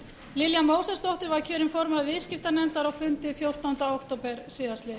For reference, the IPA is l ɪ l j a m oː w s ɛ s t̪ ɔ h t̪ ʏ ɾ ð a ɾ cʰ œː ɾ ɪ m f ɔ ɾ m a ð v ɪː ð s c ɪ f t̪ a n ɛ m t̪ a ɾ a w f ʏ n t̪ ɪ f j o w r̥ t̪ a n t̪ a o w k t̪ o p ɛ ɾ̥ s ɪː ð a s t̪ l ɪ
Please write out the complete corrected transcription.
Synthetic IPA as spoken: l ɪ l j a m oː w s ɛ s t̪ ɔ h t̪ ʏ ɾ v a ɾ cʰ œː ɾ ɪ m f ɔ ɾ m a ð v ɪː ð s c ɪ f t̪ a n ɛ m t̪ a ɾ a w f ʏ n t̪ ɪ f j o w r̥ t̪ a n t̪ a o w k t̪ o p ɛ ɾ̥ s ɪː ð a s t̪ l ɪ